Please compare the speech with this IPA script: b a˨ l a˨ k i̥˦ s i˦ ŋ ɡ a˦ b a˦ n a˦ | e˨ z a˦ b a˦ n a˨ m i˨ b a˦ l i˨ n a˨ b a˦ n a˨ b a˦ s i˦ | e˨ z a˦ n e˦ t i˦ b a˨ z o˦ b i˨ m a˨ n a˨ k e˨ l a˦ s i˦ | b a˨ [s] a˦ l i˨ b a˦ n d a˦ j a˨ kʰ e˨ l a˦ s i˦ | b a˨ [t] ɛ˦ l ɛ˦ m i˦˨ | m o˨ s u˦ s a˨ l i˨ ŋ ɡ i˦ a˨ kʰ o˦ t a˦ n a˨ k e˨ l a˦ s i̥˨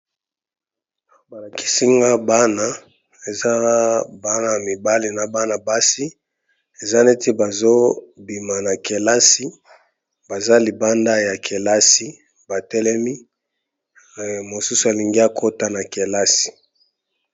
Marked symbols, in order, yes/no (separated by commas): no, yes